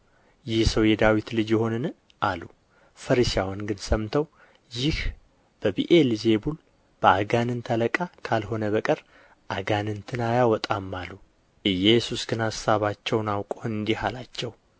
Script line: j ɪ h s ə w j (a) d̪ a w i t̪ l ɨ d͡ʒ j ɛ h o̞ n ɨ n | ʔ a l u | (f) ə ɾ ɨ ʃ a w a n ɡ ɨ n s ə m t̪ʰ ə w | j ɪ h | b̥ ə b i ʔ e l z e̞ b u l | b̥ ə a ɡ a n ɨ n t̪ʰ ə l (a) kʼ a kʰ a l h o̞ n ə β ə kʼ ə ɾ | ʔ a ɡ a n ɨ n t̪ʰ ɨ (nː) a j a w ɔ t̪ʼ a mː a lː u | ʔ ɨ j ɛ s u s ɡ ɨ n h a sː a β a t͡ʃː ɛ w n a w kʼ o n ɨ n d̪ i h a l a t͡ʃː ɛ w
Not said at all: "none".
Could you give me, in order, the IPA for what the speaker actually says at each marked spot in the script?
ɛ, f, ə, n

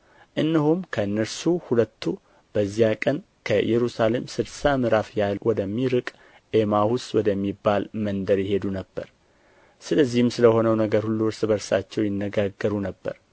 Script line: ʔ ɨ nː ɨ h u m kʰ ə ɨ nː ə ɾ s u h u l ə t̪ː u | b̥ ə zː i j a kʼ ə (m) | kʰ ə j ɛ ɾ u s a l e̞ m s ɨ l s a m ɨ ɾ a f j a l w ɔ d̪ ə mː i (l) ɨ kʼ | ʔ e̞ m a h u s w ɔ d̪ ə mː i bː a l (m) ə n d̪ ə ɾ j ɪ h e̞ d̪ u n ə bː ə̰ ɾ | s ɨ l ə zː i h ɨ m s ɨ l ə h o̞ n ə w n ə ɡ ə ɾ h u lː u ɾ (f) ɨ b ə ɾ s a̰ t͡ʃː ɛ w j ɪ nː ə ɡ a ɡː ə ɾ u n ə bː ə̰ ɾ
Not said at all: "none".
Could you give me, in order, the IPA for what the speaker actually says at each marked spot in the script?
n, ɾ, m, s

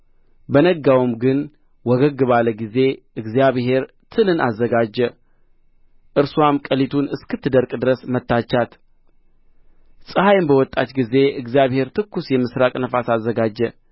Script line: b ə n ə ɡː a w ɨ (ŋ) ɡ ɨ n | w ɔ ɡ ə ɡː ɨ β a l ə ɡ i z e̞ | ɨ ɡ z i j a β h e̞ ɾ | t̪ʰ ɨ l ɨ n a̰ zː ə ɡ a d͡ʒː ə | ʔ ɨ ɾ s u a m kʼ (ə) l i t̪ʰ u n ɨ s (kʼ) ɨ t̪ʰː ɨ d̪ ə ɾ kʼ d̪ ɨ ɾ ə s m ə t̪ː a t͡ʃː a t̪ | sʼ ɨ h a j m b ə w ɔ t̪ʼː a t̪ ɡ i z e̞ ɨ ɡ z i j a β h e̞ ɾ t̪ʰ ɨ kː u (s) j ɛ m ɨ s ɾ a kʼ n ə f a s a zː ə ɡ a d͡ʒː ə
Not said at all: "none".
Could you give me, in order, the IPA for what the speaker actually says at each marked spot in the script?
m, ə, k, s

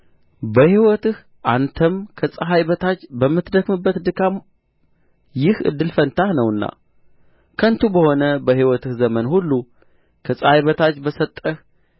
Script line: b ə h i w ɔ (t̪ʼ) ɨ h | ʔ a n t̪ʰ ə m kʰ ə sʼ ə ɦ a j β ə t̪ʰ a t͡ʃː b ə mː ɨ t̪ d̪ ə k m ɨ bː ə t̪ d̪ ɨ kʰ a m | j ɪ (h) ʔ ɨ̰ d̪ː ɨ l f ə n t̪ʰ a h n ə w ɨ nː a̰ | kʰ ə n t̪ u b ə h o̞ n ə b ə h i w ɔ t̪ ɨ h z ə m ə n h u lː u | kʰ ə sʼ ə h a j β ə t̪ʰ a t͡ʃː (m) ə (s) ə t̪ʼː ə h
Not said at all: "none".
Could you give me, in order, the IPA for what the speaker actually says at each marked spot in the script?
t̪, h, b, s

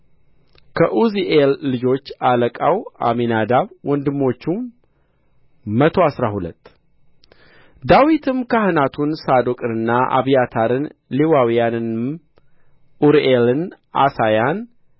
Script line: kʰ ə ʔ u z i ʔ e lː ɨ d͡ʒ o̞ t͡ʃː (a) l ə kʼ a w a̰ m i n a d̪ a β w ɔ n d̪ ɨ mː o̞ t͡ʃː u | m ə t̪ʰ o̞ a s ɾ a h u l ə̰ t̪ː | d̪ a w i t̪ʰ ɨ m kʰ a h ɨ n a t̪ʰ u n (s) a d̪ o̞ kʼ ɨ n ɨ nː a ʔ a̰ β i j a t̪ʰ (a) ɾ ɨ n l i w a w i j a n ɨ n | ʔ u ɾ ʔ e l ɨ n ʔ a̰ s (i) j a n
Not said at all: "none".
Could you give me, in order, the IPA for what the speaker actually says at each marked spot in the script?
a, s, a, a

